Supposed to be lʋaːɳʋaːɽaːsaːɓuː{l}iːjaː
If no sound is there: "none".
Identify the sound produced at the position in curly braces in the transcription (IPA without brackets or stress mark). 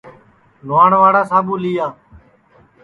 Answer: l